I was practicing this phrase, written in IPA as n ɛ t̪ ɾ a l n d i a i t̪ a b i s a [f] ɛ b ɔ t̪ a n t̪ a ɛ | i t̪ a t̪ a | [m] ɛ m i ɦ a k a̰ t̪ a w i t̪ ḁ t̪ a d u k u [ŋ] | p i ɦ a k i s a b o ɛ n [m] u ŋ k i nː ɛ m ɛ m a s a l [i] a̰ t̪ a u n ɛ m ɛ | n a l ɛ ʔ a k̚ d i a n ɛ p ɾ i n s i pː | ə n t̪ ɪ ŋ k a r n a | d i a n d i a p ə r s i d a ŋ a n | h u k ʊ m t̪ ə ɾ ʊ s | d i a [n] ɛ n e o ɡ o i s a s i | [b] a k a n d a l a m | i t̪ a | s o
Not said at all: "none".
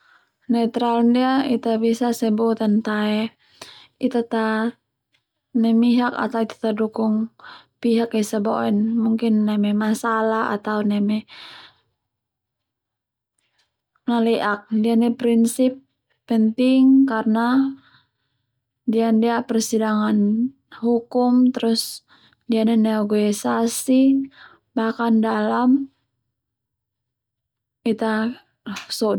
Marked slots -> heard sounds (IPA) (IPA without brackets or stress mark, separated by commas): s, n, ŋ, m, a, n, b